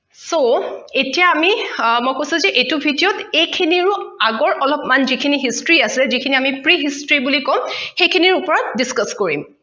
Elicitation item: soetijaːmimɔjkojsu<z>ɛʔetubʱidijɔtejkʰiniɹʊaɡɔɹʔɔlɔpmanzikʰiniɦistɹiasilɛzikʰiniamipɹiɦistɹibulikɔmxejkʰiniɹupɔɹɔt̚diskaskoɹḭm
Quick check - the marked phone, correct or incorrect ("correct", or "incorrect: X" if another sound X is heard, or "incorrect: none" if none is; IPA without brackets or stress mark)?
correct